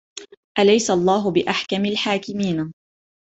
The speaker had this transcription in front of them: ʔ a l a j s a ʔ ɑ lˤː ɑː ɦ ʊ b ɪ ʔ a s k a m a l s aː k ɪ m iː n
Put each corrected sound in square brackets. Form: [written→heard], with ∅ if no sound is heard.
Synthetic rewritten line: ʔ a l a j s a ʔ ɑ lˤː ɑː ɦ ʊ b ɪ ʔ a [s→ħ] k a m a l [s→ħ] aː k ɪ m iː n